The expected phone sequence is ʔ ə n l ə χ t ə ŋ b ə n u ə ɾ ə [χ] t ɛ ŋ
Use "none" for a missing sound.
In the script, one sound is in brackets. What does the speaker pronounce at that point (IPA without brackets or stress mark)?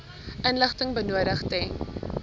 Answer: χ